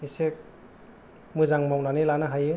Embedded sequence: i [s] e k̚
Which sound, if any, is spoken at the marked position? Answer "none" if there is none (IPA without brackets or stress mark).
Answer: s